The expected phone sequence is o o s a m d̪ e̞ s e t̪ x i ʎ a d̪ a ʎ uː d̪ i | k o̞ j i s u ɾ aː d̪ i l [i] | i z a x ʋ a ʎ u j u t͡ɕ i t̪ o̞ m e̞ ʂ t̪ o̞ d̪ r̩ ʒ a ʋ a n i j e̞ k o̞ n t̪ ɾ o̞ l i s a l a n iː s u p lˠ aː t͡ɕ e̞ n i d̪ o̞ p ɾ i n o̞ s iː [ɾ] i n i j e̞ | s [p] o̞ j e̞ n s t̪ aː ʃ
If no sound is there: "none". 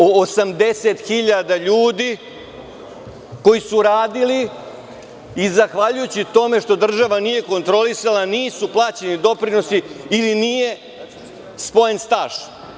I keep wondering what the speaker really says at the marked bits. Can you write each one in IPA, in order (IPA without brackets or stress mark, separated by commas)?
i, l, p